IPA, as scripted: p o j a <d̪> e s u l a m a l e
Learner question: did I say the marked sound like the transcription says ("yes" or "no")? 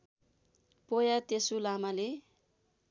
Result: no